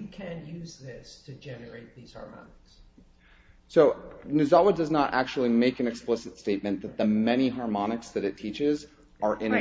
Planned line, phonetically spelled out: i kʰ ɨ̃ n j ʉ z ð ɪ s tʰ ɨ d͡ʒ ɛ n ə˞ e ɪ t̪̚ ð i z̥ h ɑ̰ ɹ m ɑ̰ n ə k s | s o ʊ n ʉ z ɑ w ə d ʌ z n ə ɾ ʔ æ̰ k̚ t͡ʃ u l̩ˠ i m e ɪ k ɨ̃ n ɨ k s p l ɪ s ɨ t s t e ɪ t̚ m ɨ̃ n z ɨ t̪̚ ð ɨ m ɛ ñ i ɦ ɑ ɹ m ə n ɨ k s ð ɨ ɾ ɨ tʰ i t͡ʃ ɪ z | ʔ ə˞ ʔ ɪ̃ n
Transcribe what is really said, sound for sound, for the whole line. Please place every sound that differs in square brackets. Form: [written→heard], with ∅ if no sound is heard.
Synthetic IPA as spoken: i kʰ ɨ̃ n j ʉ z ð ɪ s tʰ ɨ d͡ʒ ɛ n ə˞ e ɪ t̪̚ ð i z̥ h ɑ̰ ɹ m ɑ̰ n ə k s | s o ʊ n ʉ z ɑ w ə d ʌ z n ə ɾ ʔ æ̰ k̚ t͡ʃ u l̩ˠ i m e ɪ k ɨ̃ n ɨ k s p l ɪ s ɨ t s t e ɪ t̚ m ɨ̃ n [z→ð] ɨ t̪̚ ð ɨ m ɛ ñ i ɦ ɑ ɹ m [ə→ɑ] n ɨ k s ð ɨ ɾ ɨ tʰ i t͡ʃ ɪ z | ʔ ə˞ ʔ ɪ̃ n